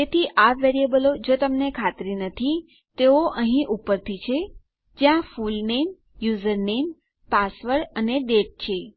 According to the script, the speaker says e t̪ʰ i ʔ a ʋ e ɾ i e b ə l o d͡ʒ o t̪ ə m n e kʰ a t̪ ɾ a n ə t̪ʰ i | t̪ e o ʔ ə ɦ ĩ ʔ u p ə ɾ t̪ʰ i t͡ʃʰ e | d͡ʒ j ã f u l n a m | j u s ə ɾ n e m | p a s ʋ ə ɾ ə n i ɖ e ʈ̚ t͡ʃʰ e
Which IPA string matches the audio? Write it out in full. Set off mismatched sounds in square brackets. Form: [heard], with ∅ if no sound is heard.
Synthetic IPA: e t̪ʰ i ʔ a ʋ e ɾ i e b ə l o d͡ʒ o t̪ ə m n e kʰ a t̪ ɾ [i] n ə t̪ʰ i | t̪ e o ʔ ə ɦ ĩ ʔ u p ə ɾ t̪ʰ i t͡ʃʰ e | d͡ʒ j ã f u l n [e] m | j u [z] ə ɾ n e m | p a s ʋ ə ɾ ə n [e] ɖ e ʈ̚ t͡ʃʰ e